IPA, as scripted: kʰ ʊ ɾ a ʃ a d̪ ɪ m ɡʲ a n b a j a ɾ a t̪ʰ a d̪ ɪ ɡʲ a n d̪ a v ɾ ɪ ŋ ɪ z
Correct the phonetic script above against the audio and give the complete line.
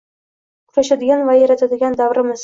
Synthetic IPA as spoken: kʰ ʊ ɾ a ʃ a d̪ ɪ ɡʲ a n v a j a ɾ a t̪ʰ a d̪ ɪ ɡʲ a n d̪ a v ɾ ɪ m ɪ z